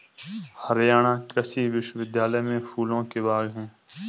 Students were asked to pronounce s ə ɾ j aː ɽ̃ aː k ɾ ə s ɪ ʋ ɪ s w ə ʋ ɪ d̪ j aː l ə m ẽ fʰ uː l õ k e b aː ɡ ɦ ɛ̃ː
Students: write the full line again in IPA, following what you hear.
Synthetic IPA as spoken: h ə ɾ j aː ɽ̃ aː k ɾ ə s i ʋ ɪ ʃ w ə ʋ ɪ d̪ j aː l ə m ẽ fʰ uː l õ k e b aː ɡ ɦ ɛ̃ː